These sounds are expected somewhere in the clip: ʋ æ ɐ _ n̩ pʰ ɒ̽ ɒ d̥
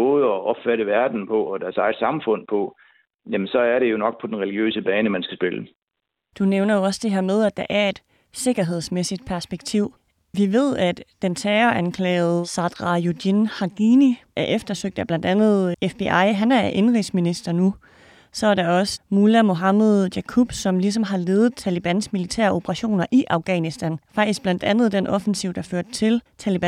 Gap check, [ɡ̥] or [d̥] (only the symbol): d̥